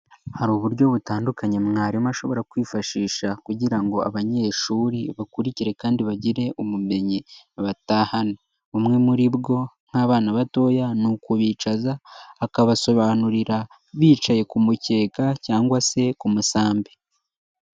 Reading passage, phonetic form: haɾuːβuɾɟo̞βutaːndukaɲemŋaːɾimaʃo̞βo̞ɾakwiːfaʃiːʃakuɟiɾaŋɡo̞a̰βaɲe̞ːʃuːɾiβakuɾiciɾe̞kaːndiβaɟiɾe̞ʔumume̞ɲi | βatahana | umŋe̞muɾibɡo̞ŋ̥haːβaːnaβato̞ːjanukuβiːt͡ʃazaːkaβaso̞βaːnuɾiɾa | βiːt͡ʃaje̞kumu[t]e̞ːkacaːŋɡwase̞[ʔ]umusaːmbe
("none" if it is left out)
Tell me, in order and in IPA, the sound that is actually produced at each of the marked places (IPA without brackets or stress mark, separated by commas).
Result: c, k